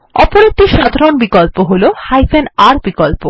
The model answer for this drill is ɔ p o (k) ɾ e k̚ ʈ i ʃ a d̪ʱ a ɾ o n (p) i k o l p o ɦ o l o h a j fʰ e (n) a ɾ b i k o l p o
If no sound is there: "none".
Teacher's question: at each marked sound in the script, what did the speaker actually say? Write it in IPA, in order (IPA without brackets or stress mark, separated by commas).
none, b, n